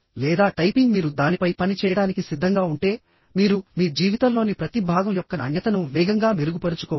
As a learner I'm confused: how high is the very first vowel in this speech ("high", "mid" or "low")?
mid